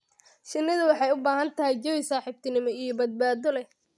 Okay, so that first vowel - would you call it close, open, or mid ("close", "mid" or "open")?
close